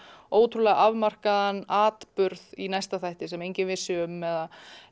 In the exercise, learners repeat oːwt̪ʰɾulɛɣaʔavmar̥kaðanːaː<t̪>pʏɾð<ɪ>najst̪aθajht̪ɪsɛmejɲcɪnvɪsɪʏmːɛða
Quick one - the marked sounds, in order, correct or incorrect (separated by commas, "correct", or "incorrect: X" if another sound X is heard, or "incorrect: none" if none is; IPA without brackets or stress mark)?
correct, incorrect: i